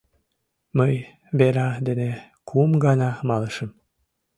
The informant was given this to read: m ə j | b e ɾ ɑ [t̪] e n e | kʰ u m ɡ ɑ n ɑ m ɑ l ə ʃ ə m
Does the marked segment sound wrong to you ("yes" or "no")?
yes